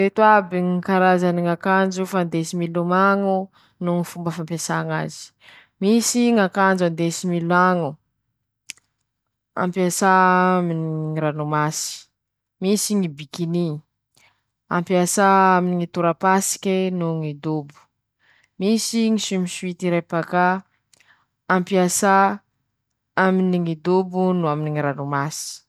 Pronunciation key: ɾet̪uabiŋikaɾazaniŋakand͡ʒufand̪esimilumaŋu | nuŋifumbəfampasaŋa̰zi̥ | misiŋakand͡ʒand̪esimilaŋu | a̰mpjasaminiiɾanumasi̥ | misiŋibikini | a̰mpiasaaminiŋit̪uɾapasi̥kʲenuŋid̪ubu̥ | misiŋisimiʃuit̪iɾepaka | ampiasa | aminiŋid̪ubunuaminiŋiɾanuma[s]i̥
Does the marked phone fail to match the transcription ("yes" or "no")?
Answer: no